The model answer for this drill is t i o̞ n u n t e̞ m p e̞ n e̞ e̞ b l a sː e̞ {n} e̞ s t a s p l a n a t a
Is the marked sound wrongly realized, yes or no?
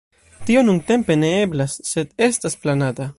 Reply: yes